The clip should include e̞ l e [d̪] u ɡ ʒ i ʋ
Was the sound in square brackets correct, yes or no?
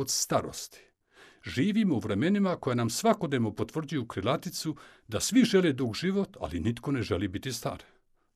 yes